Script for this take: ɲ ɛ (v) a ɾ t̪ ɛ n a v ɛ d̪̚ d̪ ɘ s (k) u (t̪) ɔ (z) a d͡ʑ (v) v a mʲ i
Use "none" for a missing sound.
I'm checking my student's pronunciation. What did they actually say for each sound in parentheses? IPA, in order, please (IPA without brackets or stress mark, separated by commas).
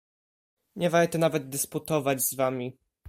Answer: v, p, t̪, v, z